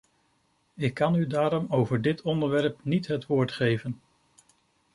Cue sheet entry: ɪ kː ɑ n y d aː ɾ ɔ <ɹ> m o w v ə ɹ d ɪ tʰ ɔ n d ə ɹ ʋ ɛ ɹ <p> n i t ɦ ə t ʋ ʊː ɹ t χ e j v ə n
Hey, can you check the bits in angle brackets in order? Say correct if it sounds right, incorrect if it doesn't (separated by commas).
incorrect, correct